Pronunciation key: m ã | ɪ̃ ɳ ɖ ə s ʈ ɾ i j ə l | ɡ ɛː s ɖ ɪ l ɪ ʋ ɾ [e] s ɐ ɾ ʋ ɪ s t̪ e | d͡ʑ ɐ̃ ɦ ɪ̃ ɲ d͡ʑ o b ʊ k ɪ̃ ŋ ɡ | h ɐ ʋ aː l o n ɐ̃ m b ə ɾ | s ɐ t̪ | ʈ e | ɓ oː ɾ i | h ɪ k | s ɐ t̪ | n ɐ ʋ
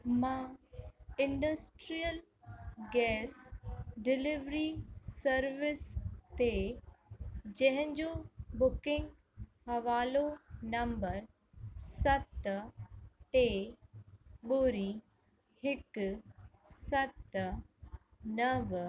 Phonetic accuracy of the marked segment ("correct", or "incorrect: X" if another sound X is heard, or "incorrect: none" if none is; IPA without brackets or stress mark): incorrect: i